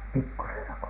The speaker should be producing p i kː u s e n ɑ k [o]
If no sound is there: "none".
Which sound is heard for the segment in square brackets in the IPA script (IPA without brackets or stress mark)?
o